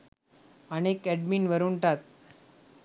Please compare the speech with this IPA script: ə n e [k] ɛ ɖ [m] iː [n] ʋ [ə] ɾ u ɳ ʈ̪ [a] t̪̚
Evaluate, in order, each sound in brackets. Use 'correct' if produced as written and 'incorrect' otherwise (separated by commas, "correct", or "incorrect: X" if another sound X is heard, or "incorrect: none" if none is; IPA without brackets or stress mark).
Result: correct, correct, correct, correct, correct